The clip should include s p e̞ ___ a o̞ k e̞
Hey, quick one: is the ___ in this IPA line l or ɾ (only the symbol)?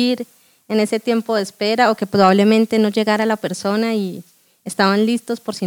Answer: ɾ